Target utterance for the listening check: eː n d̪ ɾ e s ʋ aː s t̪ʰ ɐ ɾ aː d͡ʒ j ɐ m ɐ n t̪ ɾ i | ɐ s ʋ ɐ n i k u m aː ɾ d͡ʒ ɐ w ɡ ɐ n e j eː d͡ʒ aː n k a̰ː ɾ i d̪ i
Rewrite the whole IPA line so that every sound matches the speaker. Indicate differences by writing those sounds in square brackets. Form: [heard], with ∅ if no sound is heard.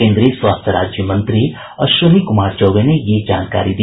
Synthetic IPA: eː n d̪ ɾ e s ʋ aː s t̪ʰ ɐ ɾ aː d͡ʒ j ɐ m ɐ n t̪ ɾ i | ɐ [ʃ] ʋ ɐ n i k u m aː ɾ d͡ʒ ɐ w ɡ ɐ n e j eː d͡ʒ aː n k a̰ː ɾ i d̪ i